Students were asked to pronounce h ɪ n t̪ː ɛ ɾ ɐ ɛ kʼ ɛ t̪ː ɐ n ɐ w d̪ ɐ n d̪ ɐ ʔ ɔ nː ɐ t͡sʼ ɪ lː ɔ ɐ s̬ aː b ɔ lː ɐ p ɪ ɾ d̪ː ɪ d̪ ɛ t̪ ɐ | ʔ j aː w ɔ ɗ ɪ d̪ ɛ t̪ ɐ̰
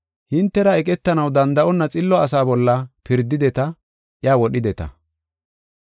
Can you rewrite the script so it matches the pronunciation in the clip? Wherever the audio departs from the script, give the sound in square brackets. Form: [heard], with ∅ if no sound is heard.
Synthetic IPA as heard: h ɪ n t̪ː ɛ ɾ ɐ ɛ kʼ ɛ t̪ː ɐ n ɐ w d̪ ɐ n d̪ ɐ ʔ ɔ nː ɐ t͡sʼ ɪ lː ɔ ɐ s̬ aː b ɔ lː ɐ p ɪ ɾ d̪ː ɪ d̪ ɛ t̪ ɐ | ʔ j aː w ɔ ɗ ɪ d̪ ɛ t̪ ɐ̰